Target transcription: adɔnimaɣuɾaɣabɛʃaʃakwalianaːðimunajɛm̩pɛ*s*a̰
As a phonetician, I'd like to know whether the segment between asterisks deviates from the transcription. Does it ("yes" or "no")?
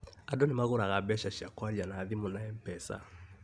no